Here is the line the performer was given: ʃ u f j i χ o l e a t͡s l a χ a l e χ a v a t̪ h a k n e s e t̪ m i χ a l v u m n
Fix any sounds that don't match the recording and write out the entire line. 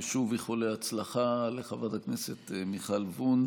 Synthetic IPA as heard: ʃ u v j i χ o l e a t͡s l a χ a l e χ a v a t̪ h a k n e s e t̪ m i χ a l v u n